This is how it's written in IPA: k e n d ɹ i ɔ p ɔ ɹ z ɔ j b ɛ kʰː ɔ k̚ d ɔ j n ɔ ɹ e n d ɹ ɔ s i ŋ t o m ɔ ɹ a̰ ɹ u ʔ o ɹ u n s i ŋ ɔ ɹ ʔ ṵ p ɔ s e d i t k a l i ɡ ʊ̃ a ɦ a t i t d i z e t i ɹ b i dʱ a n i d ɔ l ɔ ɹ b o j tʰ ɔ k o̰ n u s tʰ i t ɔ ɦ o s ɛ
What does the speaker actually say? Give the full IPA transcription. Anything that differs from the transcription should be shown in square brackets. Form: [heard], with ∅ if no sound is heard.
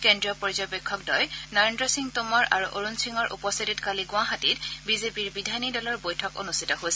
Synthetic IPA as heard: k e n d ɹ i ɔ p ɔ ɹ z ɔ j b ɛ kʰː ɔ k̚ d ɔ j n ɔ ɹ e n d ɹ ɔ s i ŋ t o m ɔ ɹ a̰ ɹ u ʔ o ɹ u n s i ŋ ɔ ɹ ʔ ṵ p ɔ s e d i t k a l i ɡ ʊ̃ a ɦ a t i t [b] i z e [p] i ɹ b i dʱ a n i d ɔ l ɔ ɹ b o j tʰ ɔ k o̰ n u s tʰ i t ɔ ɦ o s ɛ